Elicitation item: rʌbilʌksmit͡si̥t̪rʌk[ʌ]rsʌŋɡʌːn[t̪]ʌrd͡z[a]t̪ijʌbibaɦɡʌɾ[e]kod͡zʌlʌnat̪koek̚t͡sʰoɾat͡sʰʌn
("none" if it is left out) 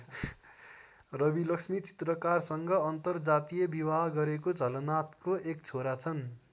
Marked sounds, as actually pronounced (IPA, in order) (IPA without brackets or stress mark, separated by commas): a, t̪, a, e